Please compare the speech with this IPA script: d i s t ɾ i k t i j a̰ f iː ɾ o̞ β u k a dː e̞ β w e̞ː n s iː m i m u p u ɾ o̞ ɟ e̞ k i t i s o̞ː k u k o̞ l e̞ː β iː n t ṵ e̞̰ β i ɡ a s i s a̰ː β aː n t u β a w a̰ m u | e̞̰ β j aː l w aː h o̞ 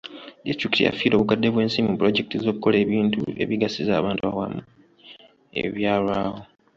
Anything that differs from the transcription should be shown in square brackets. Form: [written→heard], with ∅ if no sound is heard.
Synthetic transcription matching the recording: d i s t ɾ i k t i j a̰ f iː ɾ o̞ β u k a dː e̞ β w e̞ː n s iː m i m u p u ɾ o̞ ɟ e̞ k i t i [s→z] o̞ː k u k o̞ l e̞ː β iː n t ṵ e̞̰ β i ɡ a s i [s→z] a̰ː β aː n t u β a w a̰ m u | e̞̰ β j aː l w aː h o̞